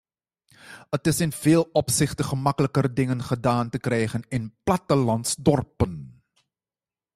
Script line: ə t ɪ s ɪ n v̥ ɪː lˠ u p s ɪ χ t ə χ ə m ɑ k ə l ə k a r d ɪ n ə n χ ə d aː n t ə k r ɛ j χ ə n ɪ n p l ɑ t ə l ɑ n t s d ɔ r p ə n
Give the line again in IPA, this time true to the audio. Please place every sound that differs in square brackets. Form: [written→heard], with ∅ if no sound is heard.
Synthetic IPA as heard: ə t ɪ s ɪ n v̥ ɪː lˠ [u→ɔ] p s ɪ χ t ə χ ə m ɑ k ə l ə k [a→ə] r d ɪ [n→ŋ] ə n χ ə d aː n t ə k r ɛ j χ ə n ɪ n p l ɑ t ə l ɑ n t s d ɔ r p ə n